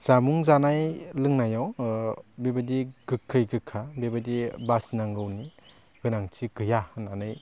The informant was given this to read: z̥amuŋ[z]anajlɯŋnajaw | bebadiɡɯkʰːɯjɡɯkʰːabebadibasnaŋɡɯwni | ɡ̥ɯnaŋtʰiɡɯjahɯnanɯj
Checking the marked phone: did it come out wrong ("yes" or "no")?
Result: no